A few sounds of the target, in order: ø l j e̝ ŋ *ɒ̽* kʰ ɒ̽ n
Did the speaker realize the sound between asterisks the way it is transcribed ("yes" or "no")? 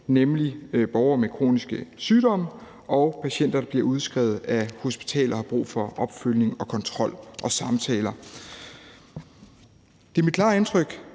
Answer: yes